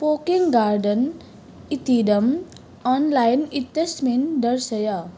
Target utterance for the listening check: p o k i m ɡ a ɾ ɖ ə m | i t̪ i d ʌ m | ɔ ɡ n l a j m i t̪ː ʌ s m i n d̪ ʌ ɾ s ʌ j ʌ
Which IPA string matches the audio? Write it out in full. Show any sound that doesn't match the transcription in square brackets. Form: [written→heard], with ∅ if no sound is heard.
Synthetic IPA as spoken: p o k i [m→ŋ] ɡ a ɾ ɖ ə [m→n] | i t̪ i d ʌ m | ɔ [ɡ→∅] n l a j [m→n] i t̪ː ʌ s m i n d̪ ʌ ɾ s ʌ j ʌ